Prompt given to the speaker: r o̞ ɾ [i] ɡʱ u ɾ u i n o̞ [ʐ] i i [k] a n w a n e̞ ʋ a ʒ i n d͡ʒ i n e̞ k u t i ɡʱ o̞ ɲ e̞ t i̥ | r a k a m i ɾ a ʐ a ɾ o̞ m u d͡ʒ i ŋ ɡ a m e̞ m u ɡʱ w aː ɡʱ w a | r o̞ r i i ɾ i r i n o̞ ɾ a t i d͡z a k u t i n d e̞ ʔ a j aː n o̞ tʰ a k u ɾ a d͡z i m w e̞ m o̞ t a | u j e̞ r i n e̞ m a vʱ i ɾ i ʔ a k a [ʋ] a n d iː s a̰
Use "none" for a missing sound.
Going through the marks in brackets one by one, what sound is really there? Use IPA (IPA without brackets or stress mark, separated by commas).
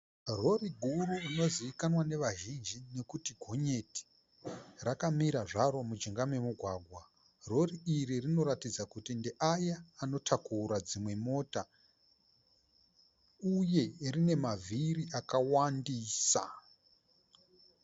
i, z, k, w